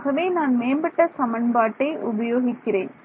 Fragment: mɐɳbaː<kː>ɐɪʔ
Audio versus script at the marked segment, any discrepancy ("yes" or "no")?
yes